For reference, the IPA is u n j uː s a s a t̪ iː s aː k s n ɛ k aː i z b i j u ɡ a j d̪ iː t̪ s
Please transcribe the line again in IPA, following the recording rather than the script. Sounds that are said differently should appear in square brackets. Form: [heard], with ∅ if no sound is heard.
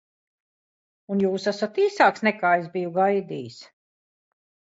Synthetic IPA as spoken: u n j uː s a s a t̪ iː s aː k s n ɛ k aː [e] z b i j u ɡ a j d̪ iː [∅] s